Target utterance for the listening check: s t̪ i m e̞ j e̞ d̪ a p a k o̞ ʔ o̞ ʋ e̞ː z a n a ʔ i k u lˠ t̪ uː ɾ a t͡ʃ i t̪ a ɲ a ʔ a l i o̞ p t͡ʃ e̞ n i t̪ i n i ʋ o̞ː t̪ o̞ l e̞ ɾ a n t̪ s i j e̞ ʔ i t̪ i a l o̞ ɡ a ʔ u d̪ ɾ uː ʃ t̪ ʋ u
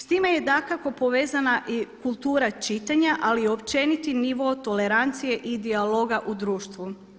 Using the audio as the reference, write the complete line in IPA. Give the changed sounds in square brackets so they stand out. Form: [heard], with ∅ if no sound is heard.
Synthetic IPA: s t̪ i m e̞ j e̞ d̪ a [k] a k o̞ [p] o̞ ʋ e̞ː z a n a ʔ i k u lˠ t̪ uː ɾ a t͡ʃ i t̪ a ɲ a ʔ a l i o̞ p t͡ʃ e̞ n i t̪ i n i ʋ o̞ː t̪ o̞ l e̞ ɾ a n t̪ s i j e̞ ʔ i [d̪] i a l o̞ ɡ a ʔ u d̪ ɾ uː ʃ t̪ ʋ u